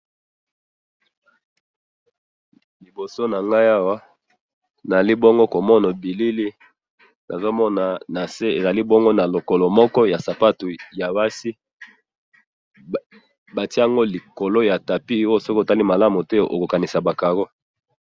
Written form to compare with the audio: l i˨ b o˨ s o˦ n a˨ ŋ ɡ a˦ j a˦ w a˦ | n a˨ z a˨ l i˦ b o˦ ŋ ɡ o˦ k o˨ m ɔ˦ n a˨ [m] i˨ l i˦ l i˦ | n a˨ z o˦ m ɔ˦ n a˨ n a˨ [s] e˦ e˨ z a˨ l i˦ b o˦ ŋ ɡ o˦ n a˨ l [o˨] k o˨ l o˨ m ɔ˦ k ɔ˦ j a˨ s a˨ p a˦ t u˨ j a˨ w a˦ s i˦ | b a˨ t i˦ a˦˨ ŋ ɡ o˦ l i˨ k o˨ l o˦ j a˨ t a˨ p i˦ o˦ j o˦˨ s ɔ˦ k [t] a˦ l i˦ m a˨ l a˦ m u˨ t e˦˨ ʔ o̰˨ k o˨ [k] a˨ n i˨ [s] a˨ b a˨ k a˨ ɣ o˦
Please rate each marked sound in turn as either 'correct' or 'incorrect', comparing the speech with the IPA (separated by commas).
incorrect, correct, correct, correct, correct, correct